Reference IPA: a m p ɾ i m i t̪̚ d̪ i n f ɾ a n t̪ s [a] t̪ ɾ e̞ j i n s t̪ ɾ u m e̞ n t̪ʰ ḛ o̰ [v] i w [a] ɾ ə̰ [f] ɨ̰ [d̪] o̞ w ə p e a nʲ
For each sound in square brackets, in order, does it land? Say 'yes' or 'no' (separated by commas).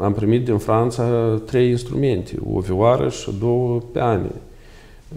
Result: yes, yes, yes, no, yes